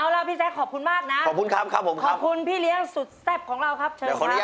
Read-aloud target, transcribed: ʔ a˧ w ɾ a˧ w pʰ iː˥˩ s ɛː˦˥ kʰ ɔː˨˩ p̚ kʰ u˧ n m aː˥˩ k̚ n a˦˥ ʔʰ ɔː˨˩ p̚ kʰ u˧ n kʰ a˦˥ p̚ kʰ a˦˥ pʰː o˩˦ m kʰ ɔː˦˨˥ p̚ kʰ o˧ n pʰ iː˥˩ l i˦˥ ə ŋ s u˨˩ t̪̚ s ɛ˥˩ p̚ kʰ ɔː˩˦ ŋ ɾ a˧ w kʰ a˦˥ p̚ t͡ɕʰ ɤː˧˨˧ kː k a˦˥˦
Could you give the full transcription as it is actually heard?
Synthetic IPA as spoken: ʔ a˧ w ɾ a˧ w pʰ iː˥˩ s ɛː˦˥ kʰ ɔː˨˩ p̚ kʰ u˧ n m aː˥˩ k̚ n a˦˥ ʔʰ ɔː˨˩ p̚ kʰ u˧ n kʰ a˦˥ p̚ kʰ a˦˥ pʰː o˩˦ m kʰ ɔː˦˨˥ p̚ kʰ u˧ n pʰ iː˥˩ l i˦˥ ə ŋ s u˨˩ t̪̚ s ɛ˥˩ p̚ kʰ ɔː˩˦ ŋ ɾ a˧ w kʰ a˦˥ p̚ t͡ɕʰ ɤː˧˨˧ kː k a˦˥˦